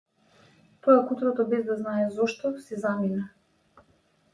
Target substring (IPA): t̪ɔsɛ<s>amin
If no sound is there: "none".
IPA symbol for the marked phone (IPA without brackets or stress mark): z